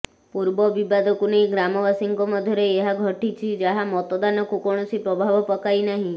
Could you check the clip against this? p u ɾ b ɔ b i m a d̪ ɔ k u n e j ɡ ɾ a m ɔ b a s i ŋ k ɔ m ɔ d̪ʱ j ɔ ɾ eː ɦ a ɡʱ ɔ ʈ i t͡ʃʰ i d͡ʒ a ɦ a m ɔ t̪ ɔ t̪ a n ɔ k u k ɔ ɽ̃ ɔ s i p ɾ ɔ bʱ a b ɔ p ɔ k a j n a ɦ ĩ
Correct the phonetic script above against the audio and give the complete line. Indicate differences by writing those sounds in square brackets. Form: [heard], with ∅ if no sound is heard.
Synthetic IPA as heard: p u ɾ b ɔ b i [b] a d̪ ɔ k u n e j ɡ ɾ a m ɔ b a s i ŋ k ɔ m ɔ d̪ʱ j ɔ ɾ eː ɦ a ɡʱ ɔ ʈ i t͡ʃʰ i d͡ʒ a ɦ a m ɔ t̪ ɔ [d̪] a n ɔ k u k ɔ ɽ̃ ɔ s i p ɾ ɔ bʱ a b ɔ p ɔ k a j n a ɦ ĩ